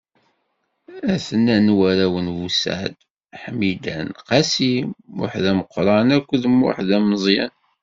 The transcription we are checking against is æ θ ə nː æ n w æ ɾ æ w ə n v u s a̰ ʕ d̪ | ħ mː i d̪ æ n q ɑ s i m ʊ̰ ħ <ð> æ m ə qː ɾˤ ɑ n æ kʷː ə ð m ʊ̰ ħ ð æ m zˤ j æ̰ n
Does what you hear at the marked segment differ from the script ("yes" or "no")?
no